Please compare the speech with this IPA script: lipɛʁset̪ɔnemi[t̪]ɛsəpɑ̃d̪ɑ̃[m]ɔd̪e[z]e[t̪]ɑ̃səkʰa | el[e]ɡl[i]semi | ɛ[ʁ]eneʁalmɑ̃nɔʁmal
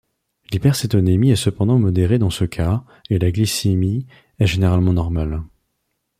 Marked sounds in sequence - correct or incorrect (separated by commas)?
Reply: incorrect, correct, incorrect, incorrect, incorrect, correct, incorrect